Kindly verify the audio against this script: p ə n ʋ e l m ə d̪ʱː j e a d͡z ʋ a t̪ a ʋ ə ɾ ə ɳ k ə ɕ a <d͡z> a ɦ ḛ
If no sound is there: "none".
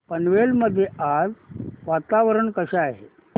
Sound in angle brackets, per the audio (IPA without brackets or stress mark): none